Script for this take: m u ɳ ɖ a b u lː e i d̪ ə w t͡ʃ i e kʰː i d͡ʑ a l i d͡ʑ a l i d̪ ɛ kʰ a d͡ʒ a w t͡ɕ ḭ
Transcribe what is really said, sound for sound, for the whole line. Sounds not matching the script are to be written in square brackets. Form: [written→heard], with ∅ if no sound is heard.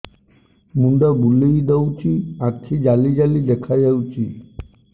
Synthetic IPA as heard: m u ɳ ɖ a b u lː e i d̪ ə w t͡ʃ i [e→a] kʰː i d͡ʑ a l i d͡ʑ a l i d̪ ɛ kʰ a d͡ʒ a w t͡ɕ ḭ